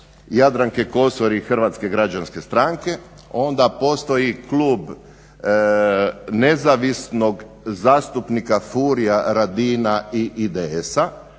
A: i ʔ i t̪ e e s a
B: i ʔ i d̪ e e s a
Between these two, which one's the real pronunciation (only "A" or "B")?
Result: B